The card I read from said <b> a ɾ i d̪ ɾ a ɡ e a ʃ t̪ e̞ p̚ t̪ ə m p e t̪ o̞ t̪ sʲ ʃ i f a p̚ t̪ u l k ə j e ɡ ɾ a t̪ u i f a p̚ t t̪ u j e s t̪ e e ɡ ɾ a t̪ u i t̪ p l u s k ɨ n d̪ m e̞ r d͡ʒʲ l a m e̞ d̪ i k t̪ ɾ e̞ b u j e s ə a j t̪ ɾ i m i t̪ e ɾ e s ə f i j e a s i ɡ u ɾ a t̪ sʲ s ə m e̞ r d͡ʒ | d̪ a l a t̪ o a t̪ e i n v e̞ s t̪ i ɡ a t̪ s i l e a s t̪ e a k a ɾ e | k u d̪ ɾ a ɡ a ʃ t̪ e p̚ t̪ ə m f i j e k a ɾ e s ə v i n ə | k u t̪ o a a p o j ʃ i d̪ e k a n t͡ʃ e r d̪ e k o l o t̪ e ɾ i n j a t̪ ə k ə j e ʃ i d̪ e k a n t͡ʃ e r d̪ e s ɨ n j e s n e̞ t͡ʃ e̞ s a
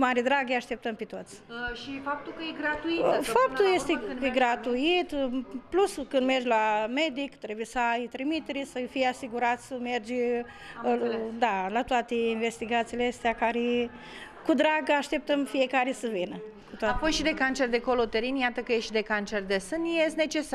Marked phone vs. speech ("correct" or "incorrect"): incorrect